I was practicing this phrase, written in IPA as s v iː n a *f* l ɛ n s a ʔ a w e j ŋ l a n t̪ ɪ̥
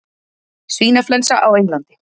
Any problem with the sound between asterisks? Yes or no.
no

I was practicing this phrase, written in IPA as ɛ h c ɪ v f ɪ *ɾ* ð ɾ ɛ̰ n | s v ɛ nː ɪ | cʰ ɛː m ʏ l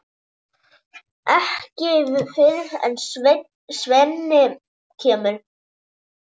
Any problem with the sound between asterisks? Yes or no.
yes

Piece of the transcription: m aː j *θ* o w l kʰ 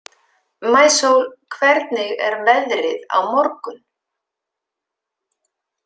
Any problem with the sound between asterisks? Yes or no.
yes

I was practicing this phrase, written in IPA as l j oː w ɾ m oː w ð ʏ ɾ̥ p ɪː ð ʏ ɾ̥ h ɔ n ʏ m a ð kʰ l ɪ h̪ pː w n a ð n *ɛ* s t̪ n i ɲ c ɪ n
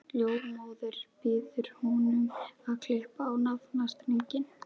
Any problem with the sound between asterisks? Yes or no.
yes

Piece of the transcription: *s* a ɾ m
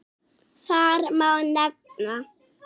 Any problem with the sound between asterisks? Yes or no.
no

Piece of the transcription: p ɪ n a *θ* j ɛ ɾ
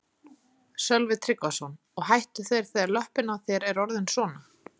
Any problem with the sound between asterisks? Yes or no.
no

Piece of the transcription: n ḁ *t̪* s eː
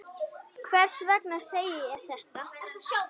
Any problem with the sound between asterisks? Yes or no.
yes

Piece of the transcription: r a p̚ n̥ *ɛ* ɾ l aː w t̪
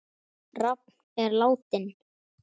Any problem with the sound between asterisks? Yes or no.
no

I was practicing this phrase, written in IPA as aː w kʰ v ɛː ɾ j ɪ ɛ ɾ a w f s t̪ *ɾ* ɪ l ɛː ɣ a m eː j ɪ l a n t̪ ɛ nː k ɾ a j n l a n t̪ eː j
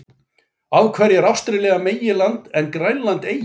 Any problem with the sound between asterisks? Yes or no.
no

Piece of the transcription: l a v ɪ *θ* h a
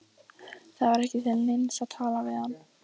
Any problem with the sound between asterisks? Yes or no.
yes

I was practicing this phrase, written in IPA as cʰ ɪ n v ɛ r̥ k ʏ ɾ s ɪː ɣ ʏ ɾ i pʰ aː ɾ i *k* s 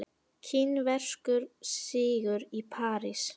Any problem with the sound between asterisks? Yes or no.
yes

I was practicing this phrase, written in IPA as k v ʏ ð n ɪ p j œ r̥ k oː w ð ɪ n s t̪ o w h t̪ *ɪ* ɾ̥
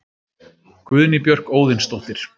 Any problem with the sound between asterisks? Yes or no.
no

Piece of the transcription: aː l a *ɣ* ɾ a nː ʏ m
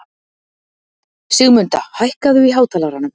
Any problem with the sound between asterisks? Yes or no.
no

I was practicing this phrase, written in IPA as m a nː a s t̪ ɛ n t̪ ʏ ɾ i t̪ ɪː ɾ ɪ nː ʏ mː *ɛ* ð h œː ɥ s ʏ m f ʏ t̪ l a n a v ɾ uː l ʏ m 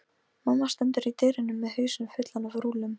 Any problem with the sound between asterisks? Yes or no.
no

